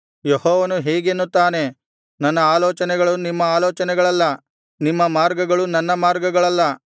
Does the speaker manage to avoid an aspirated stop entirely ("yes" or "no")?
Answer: yes